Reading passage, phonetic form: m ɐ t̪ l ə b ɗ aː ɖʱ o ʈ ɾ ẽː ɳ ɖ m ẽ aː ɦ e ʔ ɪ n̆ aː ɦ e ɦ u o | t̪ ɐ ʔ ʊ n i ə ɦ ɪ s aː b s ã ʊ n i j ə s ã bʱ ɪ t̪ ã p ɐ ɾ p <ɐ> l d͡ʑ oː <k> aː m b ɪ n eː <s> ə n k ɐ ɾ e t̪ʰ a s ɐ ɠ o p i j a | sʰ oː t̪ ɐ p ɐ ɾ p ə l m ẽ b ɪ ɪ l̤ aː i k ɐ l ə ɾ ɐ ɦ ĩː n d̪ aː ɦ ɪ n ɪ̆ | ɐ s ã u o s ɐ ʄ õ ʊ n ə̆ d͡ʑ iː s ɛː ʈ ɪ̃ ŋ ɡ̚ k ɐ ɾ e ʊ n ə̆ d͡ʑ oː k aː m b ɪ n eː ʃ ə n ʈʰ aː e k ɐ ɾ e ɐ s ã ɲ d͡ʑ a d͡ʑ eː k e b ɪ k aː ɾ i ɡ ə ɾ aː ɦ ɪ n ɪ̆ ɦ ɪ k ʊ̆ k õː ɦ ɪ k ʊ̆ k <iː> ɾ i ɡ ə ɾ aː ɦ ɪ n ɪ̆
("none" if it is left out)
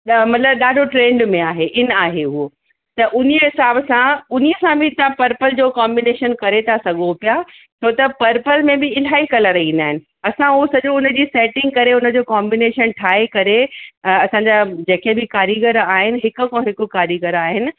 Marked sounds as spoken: ə, k, ʃ, aː

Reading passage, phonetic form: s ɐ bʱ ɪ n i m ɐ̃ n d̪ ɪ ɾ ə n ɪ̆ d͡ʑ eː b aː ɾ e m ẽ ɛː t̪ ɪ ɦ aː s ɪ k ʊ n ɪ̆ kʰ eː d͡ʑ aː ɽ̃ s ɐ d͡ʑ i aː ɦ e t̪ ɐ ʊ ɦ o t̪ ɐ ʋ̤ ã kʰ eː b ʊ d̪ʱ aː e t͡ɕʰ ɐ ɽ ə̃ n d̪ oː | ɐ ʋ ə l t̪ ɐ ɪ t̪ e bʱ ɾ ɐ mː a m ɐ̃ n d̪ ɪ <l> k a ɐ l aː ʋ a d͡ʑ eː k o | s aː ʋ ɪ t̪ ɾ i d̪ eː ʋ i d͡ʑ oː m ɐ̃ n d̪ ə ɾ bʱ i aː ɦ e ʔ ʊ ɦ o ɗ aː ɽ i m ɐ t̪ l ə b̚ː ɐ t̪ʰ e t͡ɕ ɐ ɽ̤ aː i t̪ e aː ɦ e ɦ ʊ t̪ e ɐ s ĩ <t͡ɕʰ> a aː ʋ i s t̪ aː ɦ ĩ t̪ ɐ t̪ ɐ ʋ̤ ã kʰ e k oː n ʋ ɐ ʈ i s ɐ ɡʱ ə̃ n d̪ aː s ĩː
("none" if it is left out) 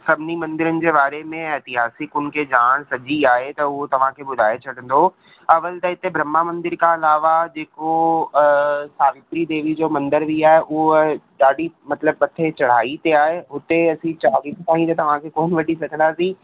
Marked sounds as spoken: ɾ, t͡ɕ

